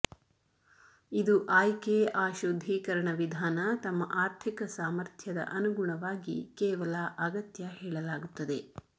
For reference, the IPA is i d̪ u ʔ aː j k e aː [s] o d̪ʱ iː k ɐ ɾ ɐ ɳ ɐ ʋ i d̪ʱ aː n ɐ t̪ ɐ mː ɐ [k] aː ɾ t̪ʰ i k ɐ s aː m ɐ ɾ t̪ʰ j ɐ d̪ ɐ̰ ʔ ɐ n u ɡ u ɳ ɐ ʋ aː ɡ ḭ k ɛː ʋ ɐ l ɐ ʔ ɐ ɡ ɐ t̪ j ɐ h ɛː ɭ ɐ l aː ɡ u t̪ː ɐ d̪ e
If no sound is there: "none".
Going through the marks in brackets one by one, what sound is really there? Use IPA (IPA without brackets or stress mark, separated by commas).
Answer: ʃ, ʔ